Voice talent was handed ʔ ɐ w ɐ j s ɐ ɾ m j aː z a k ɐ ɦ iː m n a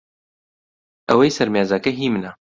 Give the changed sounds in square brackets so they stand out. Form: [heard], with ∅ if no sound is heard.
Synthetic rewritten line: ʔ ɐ w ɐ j s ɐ ɾ m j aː z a k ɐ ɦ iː m n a